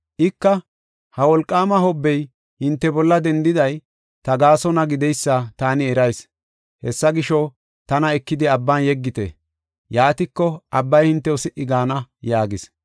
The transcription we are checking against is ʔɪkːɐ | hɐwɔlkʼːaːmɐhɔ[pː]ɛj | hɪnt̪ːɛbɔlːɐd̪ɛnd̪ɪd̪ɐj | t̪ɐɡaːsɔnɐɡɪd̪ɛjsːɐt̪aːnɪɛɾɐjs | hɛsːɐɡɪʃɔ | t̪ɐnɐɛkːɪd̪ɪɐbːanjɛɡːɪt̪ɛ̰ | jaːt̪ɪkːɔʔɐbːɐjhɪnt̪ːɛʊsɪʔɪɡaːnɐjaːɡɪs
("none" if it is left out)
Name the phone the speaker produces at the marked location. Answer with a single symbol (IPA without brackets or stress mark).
bː